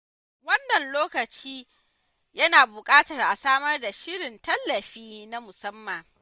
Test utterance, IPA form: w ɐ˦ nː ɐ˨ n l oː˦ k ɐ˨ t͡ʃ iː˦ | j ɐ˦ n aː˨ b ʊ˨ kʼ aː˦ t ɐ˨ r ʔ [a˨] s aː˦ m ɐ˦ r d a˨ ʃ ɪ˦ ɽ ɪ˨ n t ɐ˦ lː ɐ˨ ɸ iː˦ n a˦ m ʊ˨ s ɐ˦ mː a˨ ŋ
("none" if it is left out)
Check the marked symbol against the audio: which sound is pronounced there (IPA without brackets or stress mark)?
a˨